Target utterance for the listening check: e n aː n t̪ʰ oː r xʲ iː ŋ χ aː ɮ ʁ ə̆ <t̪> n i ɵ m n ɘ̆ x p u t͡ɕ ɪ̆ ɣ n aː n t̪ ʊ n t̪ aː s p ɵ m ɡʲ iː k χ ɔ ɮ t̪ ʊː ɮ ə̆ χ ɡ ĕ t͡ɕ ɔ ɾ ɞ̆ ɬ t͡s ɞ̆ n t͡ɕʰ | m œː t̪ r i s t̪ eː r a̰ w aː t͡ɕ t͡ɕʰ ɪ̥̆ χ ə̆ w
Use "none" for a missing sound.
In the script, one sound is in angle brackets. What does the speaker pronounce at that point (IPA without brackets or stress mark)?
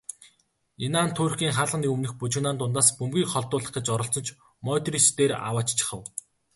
none